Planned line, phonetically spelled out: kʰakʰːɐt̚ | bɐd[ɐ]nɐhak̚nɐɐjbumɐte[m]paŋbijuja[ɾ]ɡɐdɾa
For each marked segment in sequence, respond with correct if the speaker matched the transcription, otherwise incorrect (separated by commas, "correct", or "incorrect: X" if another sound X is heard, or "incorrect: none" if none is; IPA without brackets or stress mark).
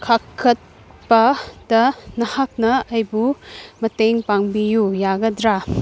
correct, incorrect: ŋ, incorrect: none